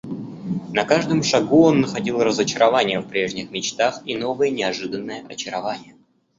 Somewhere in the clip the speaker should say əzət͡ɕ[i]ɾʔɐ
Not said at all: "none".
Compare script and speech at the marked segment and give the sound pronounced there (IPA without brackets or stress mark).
ɪ